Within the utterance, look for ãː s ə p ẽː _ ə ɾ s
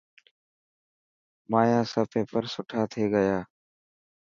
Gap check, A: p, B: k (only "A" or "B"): A